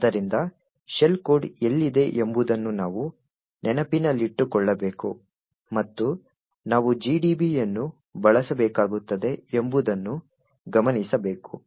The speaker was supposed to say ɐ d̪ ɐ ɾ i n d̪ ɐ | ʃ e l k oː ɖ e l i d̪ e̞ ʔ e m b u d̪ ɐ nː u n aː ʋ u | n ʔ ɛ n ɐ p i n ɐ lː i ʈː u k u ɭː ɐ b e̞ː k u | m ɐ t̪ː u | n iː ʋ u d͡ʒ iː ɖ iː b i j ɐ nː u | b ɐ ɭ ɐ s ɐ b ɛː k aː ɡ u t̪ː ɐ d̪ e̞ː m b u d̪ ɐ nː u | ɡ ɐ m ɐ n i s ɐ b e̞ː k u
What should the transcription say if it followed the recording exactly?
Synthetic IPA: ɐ d̪ ɐ ɾ i n d̪ ɐ | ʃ e l k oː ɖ e lː i d̪ e̞ ʔ e m b u d̪ ɐ nː u n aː ʋ u | n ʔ ɛ n ɐ p i n ɐ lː i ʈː u k ɔ ɭː ɐ b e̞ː k u | m ɐ t̪ː u | n aː ʋ u d͡ʒ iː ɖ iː b i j ɐ nː u | b ɐ ɭ ɐ s ɐ b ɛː k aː ɡ u t̪ː ɐ d̪ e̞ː m b u d̪ ɐ nː u | ɡ ɐ m ɐ n i s ɐ b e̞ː k u

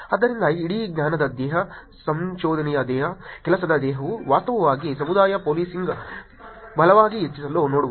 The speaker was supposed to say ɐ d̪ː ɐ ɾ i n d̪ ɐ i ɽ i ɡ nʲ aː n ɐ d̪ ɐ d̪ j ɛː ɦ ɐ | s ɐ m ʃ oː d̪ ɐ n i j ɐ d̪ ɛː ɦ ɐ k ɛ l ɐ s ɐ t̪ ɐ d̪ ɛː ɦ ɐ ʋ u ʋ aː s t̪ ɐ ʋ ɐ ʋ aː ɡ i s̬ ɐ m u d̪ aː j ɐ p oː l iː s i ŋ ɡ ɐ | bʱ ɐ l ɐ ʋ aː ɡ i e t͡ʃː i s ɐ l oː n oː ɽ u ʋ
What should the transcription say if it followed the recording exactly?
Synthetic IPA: ɐ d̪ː ɐ ɾ i n d̪ ɐ i ɽ i ɡ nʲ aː n ɐ d̪ ɐ d̪ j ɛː ɦ ɐ | s ɐ m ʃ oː d̪ ɐ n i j ɐ d̪ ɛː ɦ ɐ k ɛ l ɐ s ɐ d̪ ɐ d̪ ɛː ɦ ɐ ʋ u ʋ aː s t̪ ɐ ʋ ɐ ʋ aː ɡ i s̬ ɐ m u d̪ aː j ɐ p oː l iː s i ŋ ɡ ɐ | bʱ ɐ l ɐ ʋ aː ɡ i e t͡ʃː i s ɐ l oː n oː ɽ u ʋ

